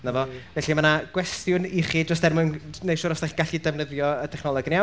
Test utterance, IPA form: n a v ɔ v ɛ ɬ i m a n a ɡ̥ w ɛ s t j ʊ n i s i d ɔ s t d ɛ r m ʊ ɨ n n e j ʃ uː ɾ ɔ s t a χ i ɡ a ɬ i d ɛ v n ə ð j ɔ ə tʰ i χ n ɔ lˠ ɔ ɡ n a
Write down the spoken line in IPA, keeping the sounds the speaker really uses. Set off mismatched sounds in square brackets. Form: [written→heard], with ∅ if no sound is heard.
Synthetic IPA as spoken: n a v ɔ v ɛ ɬ i m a n a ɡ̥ w ɛ s t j ʊ n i [s→χ] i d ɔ s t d ɛ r m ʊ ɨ n n e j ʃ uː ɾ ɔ s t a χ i ɡ a ɬ i d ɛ v n ə ð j ɔ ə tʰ [i→ɛ] χ n ɔ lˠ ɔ ɡ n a